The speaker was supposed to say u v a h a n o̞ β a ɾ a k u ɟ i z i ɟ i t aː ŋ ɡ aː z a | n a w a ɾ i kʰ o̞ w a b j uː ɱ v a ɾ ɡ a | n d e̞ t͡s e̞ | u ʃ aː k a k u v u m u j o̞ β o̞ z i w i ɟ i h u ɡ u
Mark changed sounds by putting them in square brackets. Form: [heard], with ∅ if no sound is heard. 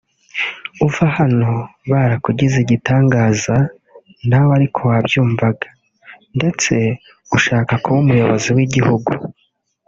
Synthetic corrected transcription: u v a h a n o̞ β a ɾ a k u ɟ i z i ɟ i t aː ŋ ɡ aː z a | n a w a ɾ i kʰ o̞ w a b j uː ɱ v a [∅] ɡ a | n d e̞ t͡s e̞ | u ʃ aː k a k u [β] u m u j o̞ β o̞ z i w i ɟ i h u ɡ u